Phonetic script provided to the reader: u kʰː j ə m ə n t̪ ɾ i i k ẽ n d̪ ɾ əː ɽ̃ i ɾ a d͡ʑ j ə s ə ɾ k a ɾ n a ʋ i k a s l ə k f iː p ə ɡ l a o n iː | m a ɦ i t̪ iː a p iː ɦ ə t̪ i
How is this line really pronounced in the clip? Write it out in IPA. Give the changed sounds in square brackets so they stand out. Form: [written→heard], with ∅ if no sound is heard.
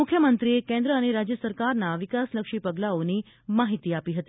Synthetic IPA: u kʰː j ə m ə n t̪ ɾ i [i→e] k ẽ n d̪ ɾ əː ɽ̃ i ɾ a d͡ʑ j ə s ə ɾ k a ɾ n a ʋ i k a s l ə k [f→ʂ] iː p ə ɡ l a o n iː | m a ɦ i t̪ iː a p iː ɦ ə t̪ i